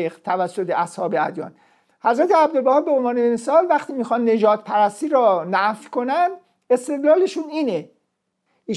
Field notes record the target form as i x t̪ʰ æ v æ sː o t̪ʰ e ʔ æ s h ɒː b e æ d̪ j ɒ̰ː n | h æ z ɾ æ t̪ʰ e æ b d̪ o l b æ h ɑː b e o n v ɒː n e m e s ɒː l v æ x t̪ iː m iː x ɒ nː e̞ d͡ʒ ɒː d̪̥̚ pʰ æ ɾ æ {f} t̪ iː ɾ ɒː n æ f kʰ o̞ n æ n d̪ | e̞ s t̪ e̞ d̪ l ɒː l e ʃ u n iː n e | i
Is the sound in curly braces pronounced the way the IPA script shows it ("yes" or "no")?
no